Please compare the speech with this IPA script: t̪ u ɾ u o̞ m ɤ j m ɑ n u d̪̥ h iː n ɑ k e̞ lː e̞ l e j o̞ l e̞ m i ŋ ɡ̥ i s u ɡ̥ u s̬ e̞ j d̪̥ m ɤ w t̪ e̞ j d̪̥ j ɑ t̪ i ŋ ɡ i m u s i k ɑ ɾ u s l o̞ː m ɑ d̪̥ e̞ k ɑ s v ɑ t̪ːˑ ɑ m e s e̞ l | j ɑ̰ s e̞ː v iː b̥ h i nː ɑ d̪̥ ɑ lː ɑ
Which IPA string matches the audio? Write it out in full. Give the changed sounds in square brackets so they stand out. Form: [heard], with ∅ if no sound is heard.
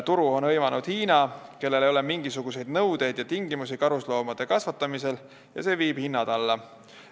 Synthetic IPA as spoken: t̪ u ɾ u o̞ [n] ɤ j m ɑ n u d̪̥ h iː n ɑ k e̞ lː e̞ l e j o̞ l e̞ m i ŋ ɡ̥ i s u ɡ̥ u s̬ e̞ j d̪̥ [n] ɤ w [d̪] e̞ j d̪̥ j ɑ t̪ i ŋ ɡ i m u s i k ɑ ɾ u s l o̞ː m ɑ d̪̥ e̞ k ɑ s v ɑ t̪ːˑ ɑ m [i] s e̞ l | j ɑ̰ s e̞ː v iː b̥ h i nː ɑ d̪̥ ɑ lː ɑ